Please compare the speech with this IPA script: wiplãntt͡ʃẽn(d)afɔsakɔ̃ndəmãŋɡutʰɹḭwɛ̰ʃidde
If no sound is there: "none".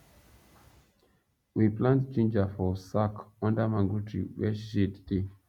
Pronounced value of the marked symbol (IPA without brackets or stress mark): d͡ʒ